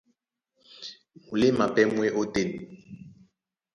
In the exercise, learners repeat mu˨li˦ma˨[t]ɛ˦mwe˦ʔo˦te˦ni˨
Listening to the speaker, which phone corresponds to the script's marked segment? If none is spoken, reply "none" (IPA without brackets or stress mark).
p